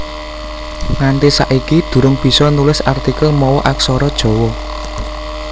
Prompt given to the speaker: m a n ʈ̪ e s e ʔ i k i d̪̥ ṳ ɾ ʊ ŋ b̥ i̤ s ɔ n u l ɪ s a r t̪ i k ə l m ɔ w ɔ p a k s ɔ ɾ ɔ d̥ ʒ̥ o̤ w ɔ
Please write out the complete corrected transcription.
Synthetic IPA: ŋ a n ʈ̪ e s a ʔ i k i d̪̥ ṳ ɾ ʊ ŋ b̥ i̤ s ɔ n u l ɪ s a r t̪ i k ə l m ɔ w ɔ ʔ a k s ɔ ɾ ɔ d̥ ʒ̥ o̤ w ɔ